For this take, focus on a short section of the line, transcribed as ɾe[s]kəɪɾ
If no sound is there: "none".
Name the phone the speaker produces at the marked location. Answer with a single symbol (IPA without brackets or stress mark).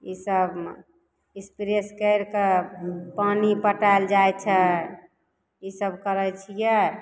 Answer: s